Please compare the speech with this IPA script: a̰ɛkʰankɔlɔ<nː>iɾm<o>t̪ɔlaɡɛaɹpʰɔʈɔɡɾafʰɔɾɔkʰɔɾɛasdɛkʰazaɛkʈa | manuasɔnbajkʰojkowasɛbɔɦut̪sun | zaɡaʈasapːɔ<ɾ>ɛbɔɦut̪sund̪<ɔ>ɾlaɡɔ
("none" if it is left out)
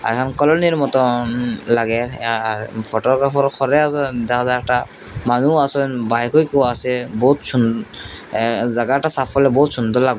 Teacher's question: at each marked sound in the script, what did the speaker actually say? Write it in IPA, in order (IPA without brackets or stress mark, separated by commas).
n, ɔ, l, ɔ